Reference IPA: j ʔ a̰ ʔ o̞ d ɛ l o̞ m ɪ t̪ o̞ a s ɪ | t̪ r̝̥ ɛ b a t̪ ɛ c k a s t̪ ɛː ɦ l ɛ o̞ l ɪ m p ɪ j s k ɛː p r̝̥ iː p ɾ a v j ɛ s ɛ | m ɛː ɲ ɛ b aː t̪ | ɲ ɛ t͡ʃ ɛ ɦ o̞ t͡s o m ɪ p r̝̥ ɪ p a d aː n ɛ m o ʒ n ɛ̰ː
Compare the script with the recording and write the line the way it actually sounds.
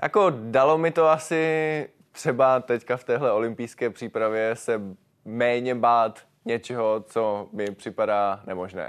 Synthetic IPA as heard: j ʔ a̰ k o̞ d a l o̞ m ɪ t̪ o̞ a s ɪ | t̪ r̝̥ ɛ b a t̪ ɛ c k a f t̪ ɛː ɦ l ɛ o̞ l ɪ m p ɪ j s k ɛː p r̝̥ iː p ɾ a v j ɛ s ɛ | m ɛː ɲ ɛ b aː t̪ | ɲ ɛ t͡ʃ ɛ ɦ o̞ t͡s o m ɪ p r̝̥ ɪ p a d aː n ɛ m o ʒ n ɛ̰ː